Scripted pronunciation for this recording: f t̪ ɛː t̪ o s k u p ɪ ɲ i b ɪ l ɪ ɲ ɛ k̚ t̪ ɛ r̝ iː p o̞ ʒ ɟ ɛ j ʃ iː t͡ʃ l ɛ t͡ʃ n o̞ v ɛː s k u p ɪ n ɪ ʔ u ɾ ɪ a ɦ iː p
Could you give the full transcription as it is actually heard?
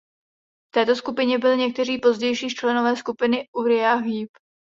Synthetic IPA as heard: f t̪ ɛː t̪ o s k u p ɪ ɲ ɛ b ɪ l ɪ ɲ ɛ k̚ t̪ ɛ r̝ iː p o̞ z ɟ ɛ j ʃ iː t͡ʃ l ɛ n o̞ v ɛː s k u p ɪ n ɪ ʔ u ɾ ɪ a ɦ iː p